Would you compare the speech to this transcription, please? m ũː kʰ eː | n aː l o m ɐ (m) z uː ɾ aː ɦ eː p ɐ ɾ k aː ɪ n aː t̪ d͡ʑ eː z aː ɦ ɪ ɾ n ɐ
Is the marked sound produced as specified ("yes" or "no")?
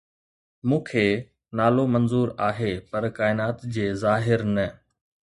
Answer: no